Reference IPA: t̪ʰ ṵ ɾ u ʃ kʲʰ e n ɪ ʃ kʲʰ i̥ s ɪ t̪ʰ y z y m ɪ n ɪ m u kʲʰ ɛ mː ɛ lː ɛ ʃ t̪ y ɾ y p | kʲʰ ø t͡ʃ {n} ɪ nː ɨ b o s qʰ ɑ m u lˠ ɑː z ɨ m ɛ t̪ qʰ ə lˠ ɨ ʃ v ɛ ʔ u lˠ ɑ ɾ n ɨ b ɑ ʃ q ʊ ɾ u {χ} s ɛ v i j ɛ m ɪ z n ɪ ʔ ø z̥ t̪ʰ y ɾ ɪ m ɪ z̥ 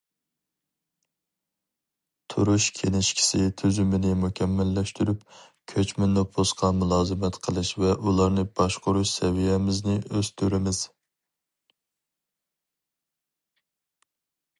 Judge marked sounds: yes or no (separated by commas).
no, no